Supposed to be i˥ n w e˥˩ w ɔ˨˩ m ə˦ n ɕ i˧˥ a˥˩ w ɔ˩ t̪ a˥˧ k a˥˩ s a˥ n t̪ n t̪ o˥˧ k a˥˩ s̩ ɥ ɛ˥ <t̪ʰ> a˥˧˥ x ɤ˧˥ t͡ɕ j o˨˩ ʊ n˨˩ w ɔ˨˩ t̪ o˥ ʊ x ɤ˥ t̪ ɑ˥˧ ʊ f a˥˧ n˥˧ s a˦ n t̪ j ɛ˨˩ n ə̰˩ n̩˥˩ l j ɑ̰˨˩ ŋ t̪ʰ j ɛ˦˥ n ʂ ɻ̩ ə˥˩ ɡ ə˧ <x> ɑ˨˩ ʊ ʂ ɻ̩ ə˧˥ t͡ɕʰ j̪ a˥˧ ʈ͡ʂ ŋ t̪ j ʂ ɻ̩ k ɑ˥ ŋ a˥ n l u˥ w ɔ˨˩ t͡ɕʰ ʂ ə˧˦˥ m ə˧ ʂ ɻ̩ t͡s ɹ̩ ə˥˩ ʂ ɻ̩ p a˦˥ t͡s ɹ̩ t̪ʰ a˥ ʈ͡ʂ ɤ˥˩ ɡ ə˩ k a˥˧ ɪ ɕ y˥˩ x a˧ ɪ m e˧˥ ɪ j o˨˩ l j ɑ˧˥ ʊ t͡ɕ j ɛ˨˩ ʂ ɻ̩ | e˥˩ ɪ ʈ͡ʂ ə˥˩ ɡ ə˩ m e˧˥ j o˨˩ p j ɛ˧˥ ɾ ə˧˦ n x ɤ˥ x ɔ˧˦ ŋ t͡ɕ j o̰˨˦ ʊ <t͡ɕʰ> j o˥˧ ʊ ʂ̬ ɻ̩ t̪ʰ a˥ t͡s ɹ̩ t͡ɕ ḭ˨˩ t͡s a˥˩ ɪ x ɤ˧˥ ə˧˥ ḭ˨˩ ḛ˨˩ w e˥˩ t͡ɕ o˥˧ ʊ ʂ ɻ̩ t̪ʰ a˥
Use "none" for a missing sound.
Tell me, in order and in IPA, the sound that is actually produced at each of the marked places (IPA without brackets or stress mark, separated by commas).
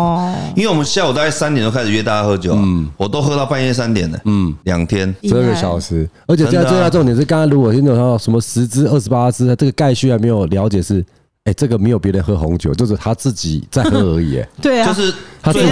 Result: t̪, ɕ, t͡ɕ